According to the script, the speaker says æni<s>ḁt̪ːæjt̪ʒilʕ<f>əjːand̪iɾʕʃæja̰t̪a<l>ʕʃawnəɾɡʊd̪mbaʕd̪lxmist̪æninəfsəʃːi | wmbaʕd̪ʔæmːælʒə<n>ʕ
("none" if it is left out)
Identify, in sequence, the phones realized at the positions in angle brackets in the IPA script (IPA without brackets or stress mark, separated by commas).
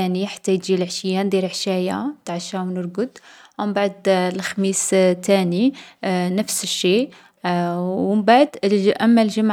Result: ħ, ʃ, none, m